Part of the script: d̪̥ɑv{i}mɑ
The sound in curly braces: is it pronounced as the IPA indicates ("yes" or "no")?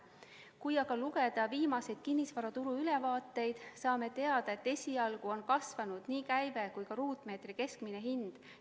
no